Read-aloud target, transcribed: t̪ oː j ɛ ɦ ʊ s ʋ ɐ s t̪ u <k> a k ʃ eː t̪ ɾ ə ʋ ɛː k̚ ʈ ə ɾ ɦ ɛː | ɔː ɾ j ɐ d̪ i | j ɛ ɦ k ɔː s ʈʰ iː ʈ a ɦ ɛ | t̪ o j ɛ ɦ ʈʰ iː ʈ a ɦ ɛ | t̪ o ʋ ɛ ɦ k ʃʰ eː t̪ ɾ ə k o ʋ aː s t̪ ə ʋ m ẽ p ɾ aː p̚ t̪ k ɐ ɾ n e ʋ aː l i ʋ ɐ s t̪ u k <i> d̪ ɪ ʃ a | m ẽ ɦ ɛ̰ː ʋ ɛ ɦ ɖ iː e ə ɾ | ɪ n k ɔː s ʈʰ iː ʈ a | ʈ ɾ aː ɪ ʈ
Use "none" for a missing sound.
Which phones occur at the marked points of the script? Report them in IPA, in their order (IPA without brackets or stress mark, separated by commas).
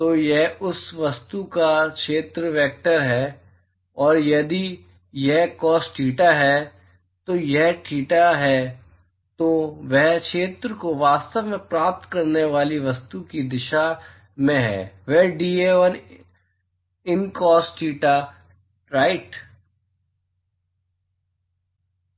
k, i